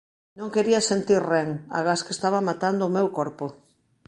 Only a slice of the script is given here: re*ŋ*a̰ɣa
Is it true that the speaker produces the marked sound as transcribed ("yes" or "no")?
yes